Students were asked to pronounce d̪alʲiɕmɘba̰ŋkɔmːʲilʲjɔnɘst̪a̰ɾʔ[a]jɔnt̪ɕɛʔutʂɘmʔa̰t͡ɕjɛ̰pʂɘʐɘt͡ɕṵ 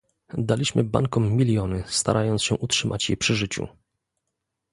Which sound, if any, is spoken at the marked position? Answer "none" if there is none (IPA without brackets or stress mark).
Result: a